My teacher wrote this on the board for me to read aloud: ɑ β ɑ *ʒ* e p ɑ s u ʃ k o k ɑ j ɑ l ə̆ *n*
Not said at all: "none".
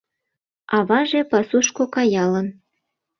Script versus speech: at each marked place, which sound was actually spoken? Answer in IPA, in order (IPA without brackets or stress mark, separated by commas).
ʒ, n